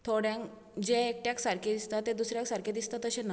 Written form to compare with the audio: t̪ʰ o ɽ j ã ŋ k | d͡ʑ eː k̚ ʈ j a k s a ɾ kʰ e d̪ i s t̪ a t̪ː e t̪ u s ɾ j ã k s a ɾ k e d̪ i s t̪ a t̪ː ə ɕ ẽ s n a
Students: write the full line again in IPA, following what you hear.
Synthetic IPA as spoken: t̪ʰ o ɽ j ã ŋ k | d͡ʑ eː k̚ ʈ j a k s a ɾ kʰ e d̪ i s t̪ a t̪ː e d̪ u s ɾ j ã k s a ɾ k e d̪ i s t̪ a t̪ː ə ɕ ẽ n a

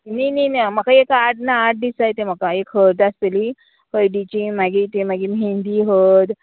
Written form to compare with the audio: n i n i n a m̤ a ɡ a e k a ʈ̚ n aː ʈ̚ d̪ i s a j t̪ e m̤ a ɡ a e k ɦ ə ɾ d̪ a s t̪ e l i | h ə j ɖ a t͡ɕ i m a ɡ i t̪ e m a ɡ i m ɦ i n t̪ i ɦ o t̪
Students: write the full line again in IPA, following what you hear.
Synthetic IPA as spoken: n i n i n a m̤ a k a e k a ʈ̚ n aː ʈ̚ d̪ i s a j t̪ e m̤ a k a e k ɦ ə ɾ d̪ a s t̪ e l i | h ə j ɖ i t͡ɕ i m a ɡ i t̪ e m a ɡ i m ɦ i n d̪ i ɦ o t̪

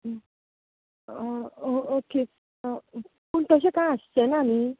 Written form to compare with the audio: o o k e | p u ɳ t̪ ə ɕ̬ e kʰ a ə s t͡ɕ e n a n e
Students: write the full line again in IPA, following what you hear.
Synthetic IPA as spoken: o o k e | p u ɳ t̪ ə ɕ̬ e k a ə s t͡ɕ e n a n i

